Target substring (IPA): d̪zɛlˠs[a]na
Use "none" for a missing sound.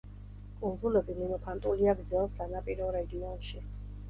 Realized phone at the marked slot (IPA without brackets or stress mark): a